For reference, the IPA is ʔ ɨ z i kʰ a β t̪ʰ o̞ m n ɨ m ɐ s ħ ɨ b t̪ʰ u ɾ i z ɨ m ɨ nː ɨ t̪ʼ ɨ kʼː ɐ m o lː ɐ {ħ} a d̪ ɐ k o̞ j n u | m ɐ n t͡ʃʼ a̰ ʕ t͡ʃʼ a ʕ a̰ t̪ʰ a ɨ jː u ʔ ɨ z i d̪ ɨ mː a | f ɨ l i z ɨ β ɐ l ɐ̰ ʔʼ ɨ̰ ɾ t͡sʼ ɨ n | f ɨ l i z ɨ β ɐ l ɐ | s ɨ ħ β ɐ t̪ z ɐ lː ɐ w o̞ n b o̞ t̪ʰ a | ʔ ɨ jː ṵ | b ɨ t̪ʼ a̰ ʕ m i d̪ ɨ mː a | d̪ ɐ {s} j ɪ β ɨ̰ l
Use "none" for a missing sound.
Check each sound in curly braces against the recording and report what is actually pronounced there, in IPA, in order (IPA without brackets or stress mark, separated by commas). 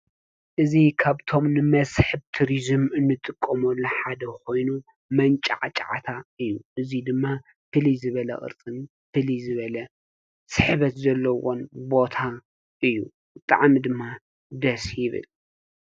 ħ, s